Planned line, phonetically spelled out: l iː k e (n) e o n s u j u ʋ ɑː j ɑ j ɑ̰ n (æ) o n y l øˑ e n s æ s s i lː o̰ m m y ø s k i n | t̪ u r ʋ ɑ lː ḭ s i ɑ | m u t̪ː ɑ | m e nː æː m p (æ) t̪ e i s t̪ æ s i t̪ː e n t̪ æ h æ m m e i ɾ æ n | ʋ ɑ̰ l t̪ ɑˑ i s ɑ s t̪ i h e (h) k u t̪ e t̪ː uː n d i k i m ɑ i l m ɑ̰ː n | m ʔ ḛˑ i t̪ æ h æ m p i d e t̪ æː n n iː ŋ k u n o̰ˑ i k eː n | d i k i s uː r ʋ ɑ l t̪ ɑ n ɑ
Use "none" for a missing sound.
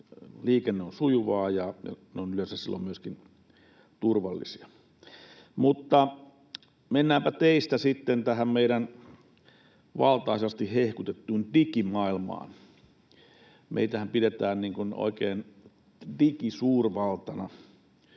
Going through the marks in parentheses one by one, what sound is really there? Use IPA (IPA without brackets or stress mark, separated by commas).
nː, e, æ, h